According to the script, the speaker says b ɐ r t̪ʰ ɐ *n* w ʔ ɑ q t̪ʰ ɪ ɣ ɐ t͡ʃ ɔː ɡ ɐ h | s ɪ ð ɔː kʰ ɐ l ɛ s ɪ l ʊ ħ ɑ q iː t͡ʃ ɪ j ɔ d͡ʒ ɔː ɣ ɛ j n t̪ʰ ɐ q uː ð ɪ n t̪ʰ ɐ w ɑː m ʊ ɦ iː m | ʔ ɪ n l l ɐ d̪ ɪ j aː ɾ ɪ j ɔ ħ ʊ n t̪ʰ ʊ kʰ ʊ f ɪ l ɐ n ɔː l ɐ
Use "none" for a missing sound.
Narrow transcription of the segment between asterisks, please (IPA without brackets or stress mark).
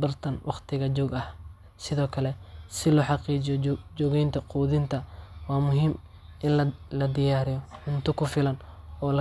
n